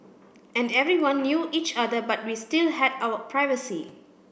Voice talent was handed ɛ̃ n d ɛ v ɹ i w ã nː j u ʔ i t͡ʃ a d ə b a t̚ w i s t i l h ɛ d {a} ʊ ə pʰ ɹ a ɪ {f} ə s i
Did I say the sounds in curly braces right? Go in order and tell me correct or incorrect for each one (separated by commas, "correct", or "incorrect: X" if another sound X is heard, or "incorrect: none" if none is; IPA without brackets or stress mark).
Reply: correct, incorrect: v